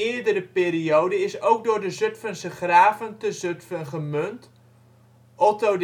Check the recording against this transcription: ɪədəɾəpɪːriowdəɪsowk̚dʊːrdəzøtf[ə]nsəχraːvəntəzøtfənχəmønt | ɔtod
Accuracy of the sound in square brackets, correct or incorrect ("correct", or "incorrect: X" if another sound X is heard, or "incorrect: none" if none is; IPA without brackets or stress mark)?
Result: correct